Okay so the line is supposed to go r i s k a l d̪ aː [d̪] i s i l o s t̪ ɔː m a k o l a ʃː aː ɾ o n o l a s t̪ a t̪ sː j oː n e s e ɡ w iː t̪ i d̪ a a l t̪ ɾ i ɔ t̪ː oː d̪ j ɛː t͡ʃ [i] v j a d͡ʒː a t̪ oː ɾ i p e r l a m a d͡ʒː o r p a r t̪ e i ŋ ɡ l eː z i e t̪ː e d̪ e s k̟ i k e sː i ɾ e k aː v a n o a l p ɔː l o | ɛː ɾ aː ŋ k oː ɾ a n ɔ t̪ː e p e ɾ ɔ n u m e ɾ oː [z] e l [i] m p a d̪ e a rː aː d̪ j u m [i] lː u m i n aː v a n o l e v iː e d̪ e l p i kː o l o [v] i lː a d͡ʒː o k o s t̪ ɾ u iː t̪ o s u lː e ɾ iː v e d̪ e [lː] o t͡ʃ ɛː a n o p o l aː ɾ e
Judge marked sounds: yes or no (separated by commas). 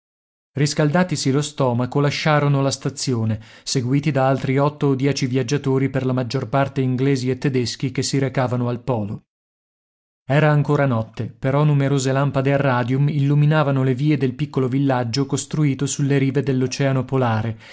no, yes, yes, no, yes, yes, yes